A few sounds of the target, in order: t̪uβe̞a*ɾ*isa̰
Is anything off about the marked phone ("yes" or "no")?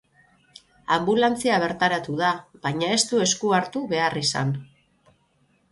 yes